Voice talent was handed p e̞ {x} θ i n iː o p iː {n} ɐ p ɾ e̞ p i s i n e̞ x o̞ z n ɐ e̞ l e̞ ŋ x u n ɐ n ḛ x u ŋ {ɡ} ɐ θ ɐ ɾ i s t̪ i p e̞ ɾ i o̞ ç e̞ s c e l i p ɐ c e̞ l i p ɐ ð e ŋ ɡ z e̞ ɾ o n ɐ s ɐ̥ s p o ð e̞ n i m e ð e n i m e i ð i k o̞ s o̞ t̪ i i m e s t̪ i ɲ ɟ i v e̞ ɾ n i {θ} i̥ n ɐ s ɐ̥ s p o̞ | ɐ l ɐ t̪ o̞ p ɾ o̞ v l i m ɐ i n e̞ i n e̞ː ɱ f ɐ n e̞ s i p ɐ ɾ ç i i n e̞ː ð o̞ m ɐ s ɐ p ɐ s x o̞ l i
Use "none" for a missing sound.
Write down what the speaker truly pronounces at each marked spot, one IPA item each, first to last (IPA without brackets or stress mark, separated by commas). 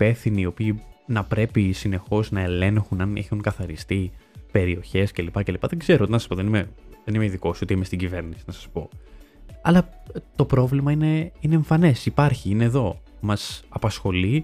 f, n, k, s